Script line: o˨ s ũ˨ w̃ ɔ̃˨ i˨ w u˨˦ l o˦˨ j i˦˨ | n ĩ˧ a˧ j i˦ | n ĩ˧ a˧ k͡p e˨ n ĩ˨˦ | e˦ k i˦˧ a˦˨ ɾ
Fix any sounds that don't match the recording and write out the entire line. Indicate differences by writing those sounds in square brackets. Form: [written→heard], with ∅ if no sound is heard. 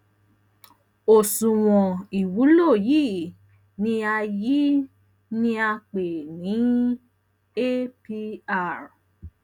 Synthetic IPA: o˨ s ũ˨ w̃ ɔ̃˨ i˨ w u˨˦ l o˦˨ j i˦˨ | n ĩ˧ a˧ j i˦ | n ĩ˧ a˧ k͡p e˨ n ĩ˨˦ | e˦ [k→p] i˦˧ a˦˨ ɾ